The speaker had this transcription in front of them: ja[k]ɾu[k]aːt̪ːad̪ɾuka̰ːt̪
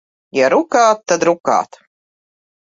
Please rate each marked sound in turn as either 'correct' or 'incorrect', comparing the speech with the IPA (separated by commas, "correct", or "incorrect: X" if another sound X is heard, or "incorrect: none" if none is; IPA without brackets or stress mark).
incorrect: none, correct